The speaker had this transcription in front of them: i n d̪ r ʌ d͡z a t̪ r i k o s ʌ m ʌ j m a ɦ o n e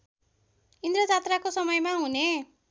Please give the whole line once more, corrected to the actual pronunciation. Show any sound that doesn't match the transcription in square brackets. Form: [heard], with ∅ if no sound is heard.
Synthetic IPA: i n d̪ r ʌ d͡z a t̪ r [a] k o s ʌ m ʌ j m a ɦ [u] n e